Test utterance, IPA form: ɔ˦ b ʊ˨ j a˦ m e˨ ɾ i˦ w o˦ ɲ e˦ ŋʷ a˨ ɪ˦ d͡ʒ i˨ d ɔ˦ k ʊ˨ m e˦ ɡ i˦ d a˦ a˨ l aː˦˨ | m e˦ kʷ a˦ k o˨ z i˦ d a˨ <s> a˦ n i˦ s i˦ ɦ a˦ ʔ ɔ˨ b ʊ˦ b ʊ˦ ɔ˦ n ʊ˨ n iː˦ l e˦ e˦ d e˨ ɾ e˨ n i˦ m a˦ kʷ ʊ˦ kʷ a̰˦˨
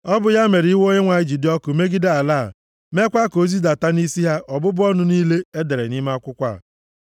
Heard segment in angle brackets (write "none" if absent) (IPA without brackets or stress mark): t